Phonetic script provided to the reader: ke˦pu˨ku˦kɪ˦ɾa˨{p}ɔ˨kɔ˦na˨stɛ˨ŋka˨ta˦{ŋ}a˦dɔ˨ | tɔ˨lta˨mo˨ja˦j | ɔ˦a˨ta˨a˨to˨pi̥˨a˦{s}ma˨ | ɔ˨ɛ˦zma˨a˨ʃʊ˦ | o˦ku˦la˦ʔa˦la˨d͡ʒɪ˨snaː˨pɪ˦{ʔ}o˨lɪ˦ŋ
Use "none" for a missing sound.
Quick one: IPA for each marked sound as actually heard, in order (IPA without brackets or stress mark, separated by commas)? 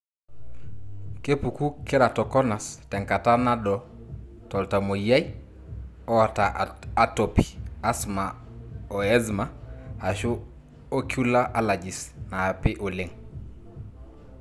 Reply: t, n, s, ʔ